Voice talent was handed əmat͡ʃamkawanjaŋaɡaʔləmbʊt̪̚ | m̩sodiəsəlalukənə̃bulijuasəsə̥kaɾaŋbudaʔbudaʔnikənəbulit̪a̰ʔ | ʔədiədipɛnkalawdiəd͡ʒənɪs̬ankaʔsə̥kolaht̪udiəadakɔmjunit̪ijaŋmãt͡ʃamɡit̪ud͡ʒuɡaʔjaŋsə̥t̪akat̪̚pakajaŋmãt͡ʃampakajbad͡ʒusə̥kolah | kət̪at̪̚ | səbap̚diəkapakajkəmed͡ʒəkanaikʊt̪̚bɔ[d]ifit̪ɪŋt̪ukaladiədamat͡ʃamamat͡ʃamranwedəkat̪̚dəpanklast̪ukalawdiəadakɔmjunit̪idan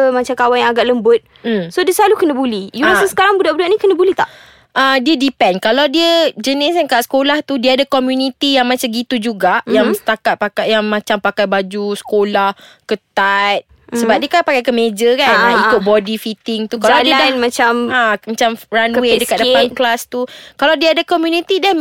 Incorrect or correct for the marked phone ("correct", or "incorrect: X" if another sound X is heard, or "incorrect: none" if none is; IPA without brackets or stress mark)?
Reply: correct